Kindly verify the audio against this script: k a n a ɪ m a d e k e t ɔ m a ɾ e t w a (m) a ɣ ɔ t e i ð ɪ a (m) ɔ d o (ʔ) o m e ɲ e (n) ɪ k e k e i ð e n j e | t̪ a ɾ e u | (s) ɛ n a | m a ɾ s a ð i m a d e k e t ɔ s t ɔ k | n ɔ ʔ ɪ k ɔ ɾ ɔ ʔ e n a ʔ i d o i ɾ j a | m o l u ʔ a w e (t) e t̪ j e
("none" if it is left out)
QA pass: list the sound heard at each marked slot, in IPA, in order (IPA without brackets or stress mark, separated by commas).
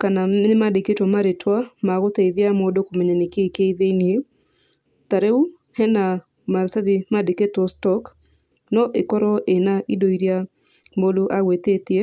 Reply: m, m, k, n, h, t